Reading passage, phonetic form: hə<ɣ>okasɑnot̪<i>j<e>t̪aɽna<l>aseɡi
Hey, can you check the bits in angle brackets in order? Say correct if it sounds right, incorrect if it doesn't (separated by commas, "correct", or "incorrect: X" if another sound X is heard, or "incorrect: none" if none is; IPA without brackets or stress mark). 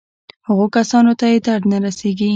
correct, incorrect: a, correct, incorrect: ɾ